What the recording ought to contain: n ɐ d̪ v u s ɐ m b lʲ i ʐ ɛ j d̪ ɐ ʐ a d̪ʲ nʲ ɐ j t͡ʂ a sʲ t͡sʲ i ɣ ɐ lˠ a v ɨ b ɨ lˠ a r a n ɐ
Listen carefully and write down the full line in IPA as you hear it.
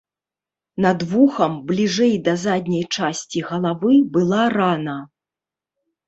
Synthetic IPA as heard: n ɐ d̪ v u x ɐ m b lʲ i ʐ ɛ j d̪ ɐ z a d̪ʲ nʲ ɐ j t͡ʂ a sʲ t͡sʲ i ɣ ɐ lˠ a v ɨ b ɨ lˠ a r a n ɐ